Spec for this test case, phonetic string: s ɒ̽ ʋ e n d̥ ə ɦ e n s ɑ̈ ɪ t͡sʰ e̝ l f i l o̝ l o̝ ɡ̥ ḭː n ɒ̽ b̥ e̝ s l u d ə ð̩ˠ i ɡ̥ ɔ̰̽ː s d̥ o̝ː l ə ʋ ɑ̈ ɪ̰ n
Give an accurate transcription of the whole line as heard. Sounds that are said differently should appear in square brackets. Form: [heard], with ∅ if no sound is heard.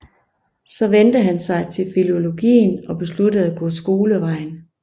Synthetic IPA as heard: s ɒ̽ ʋ e n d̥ ə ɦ [æ] n s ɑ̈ ɪ t͡sʰ e̝ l f i l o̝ l o̝ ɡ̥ ḭː n ɒ̽ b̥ e̝ s l u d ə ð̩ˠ [æ] ɡ̥ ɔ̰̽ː s [ɡ̥] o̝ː l ə ʋ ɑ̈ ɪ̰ n